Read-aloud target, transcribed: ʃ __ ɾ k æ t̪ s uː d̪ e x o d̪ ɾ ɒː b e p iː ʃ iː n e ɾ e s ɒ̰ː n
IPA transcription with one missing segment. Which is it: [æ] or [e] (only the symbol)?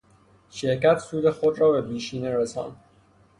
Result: e